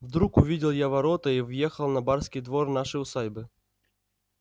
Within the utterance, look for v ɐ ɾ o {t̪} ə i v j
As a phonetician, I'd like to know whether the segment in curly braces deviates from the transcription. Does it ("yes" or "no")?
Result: no